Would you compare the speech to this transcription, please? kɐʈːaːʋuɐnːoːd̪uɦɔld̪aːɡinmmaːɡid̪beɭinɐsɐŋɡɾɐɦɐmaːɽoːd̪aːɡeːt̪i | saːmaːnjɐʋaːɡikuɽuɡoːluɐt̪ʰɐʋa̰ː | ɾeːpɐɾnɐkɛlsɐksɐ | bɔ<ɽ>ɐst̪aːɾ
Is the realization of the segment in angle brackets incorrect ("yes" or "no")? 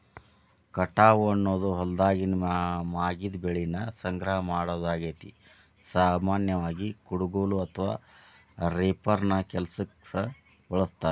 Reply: yes